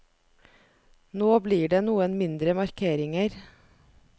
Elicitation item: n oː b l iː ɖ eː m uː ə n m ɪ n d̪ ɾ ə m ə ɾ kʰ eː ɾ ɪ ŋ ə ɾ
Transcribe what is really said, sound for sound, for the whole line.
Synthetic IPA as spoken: n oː b l iː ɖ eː n uː ə n m ɪ n d̪ ɾ ə m ɑ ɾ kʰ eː ɾ ɪ ŋ ə ɾ